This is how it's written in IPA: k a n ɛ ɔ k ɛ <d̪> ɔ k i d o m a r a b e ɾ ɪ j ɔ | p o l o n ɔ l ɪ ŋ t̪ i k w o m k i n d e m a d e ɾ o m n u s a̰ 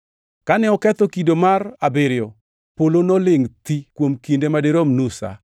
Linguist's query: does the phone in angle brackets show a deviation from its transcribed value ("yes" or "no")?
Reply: yes